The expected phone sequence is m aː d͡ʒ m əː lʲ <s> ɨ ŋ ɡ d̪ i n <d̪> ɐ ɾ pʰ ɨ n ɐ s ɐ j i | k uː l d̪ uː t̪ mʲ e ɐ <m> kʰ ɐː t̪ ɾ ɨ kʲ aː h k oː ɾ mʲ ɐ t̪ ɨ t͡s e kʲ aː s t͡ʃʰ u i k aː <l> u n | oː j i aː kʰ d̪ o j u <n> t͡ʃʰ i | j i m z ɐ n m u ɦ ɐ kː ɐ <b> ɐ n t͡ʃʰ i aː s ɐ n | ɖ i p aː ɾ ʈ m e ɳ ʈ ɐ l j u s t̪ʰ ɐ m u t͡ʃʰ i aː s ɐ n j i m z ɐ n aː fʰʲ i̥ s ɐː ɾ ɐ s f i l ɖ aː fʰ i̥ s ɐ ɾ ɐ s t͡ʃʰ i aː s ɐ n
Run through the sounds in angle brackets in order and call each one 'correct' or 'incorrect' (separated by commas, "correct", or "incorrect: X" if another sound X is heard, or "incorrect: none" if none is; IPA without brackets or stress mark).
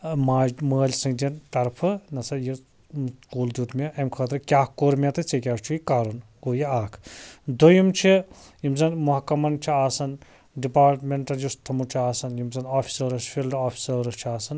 correct, incorrect: t̪, correct, incorrect: ɾ, incorrect: m, incorrect: m